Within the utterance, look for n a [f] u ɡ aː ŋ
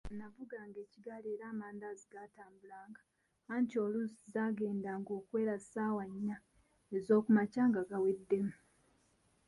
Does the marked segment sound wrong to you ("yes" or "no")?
yes